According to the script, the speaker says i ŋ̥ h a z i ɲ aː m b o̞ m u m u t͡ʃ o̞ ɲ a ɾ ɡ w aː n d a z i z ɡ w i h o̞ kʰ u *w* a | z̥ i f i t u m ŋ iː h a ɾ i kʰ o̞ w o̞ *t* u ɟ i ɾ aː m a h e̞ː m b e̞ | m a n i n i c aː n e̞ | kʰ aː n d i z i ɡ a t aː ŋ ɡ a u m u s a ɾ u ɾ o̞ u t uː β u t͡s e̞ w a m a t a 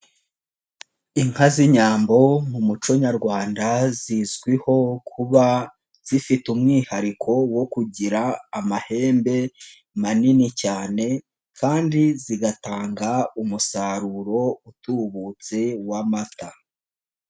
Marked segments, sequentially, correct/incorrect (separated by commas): incorrect, incorrect